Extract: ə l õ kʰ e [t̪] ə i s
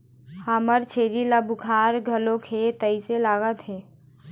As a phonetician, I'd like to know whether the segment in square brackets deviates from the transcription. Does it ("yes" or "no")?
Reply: no